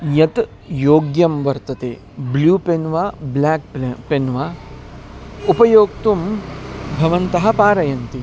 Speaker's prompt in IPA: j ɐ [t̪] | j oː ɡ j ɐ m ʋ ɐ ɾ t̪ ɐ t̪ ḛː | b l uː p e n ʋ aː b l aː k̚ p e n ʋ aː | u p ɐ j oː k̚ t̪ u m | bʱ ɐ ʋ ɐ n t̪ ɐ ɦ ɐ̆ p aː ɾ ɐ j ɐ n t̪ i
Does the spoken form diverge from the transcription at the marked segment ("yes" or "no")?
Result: no